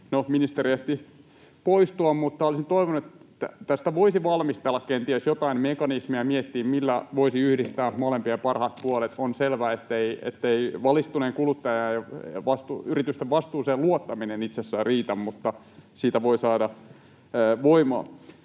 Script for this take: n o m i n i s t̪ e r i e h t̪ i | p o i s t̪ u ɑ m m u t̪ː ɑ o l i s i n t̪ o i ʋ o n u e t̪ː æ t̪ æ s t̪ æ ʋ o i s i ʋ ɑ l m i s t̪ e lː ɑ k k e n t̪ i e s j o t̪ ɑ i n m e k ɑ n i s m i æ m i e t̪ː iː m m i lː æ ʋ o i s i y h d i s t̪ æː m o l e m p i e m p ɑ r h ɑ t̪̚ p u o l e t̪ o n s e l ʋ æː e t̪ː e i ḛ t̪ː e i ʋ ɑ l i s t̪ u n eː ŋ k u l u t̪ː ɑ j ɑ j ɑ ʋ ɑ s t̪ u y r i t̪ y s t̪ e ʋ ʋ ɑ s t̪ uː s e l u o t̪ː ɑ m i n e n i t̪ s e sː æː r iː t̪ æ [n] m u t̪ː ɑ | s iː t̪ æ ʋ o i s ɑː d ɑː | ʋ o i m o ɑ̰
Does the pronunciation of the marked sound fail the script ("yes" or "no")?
yes